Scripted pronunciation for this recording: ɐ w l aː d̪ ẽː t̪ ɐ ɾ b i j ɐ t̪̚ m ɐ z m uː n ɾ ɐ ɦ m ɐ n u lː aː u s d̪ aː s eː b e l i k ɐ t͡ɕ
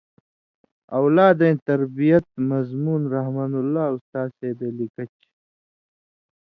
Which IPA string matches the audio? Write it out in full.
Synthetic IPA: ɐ w l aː d̪ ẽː t̪ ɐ ɾ b i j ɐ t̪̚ m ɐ z m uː n ɾ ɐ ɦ m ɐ n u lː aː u s t̪ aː s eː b e l i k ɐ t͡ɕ